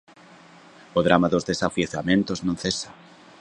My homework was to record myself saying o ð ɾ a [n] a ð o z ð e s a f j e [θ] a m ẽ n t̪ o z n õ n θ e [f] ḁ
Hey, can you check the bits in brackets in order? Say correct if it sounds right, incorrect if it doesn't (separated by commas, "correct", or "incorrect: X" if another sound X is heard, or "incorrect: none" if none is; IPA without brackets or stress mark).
incorrect: m, correct, incorrect: s